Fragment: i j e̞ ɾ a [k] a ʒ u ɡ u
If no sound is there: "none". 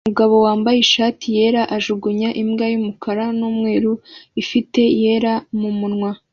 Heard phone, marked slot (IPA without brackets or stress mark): ʔ